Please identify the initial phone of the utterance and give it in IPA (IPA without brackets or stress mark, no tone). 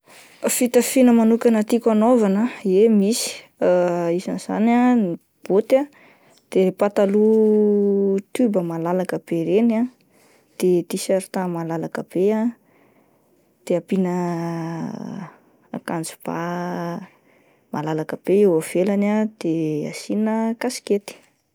f